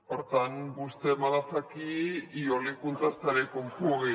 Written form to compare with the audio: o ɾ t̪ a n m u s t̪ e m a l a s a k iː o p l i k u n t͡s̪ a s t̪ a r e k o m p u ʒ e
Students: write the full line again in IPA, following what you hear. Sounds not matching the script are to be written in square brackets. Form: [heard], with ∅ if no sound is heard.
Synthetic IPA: o ɾ t̪ a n [b] u s t̪ e m a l a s a k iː o [∅] l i k u n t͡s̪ a s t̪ a [ɾ] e k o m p u [ɣ] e